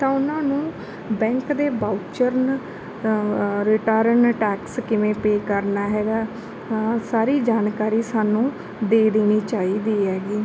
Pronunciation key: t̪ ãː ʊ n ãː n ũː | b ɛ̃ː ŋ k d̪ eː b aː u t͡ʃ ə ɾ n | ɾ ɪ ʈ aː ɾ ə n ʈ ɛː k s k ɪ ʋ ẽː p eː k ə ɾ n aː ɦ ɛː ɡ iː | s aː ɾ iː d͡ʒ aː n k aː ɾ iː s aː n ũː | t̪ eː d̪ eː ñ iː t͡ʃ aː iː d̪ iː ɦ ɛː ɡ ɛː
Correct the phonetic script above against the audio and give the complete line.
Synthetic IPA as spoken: t̪ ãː ʊ n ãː n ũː | b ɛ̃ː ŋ k d̪ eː b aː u t͡ʃ ə ɾ n | ɾ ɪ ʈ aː ɾ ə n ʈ ɛː k s k ɪ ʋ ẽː p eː k ə ɾ n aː ɦ ɛː ɡ aː | s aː ɾ iː d͡ʒ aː n k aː ɾ iː s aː n ũː | d̪ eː d̪ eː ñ iː t͡ʃ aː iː d̪ iː ɦ ɛː ɡ iː